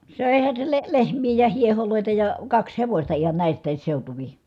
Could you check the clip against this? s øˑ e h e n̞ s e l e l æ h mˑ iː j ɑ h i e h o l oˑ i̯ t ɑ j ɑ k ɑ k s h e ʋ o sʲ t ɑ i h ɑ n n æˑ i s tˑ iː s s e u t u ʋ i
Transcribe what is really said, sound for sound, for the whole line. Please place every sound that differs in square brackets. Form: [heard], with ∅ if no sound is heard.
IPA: s øˑ e h [æ] n̞ s e l e l [e] h mˑ iː j ɑ h i e h o l oˑ i̯ t ɑ j ɑ k ɑ k s h e ʋ o sʲ t ɑ i h ɑ n n æˑ i s tˑ [æː] s s e u t u ʋ i